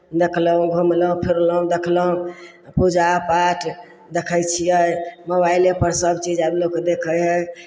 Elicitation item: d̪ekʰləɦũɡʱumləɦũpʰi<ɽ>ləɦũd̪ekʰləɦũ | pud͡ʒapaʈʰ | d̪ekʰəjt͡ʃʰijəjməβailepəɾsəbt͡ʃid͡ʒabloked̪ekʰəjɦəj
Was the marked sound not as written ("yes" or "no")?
yes